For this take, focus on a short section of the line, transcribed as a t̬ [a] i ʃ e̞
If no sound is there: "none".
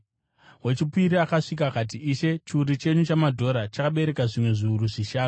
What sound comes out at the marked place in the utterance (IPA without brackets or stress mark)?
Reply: i